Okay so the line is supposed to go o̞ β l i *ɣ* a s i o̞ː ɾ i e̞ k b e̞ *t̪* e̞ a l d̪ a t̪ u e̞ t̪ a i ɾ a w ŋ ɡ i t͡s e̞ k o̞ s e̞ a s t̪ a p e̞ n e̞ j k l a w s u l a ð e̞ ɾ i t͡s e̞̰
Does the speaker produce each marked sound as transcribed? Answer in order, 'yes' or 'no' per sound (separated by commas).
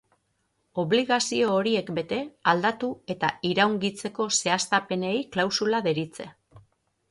yes, yes